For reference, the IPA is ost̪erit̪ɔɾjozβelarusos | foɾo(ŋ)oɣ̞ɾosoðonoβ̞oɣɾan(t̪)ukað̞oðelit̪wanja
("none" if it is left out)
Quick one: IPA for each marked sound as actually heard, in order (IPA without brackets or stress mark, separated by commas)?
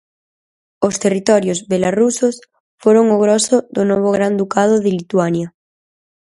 ŋ, d̪